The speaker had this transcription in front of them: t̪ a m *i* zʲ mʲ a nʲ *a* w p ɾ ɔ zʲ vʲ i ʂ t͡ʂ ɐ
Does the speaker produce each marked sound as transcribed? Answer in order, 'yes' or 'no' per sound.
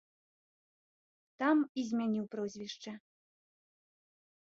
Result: yes, no

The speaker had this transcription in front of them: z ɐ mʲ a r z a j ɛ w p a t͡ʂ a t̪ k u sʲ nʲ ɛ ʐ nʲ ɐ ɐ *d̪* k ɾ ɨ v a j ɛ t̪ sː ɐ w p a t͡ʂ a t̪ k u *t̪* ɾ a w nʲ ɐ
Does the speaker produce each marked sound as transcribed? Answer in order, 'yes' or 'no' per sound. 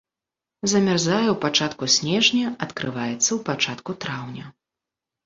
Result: no, yes

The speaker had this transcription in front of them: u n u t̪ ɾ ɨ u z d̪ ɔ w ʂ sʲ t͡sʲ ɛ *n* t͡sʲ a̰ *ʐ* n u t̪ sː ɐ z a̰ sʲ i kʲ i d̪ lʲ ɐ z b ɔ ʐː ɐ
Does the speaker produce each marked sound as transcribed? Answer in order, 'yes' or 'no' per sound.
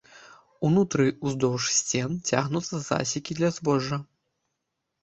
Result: yes, no

